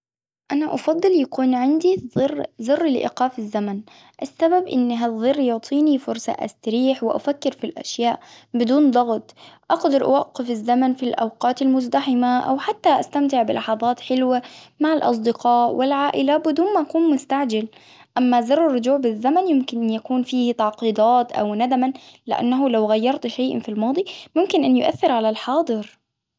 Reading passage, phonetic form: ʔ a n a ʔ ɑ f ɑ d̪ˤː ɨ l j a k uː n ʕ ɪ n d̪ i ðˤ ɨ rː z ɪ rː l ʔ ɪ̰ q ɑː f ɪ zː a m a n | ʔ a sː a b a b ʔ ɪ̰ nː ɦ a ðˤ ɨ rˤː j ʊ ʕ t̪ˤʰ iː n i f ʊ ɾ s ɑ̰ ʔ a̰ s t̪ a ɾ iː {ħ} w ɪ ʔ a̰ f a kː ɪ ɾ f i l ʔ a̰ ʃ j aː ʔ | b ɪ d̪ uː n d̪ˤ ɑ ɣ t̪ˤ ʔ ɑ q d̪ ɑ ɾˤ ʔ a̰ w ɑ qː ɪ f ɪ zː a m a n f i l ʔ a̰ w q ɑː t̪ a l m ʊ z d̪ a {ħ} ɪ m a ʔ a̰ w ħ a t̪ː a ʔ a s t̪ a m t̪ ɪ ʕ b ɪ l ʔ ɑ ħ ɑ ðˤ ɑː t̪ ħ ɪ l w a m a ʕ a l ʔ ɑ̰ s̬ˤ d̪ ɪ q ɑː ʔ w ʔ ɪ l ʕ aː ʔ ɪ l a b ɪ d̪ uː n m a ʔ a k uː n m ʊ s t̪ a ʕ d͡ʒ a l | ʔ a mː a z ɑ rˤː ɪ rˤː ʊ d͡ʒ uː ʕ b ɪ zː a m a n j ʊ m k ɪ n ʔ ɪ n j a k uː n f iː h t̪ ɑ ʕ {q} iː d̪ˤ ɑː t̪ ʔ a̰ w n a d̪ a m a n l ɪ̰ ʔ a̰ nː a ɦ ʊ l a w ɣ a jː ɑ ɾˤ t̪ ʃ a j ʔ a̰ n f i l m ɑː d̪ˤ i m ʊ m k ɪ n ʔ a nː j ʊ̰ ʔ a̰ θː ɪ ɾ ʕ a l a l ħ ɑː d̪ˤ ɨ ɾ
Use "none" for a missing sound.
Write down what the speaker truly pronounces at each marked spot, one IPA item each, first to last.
ħ, ħ, q

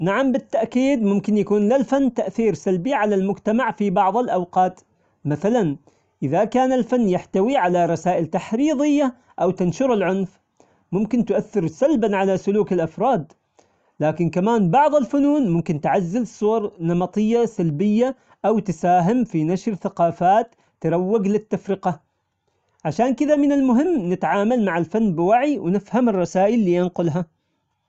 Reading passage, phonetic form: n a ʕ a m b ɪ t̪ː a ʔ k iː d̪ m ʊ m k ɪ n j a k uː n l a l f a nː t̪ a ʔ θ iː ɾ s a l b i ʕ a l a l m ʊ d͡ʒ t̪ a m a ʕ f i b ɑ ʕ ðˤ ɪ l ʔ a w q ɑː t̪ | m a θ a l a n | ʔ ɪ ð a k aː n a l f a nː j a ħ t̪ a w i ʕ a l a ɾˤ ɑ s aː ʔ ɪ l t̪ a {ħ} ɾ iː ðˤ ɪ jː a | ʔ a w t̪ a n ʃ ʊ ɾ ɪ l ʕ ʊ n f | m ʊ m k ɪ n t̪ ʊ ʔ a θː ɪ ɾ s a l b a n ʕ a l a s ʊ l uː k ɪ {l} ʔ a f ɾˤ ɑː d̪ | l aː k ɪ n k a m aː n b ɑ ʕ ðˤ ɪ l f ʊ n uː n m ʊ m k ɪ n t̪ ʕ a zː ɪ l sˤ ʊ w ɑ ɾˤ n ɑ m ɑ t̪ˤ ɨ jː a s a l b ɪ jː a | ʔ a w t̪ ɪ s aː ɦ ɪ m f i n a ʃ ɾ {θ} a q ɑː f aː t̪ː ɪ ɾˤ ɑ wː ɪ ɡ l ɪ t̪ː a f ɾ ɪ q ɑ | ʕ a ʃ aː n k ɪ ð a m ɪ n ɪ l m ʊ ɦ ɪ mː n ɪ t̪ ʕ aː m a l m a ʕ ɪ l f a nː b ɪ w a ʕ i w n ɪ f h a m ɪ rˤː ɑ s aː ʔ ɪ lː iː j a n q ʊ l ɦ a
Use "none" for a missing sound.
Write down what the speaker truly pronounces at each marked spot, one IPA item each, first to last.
ħ, l, θ

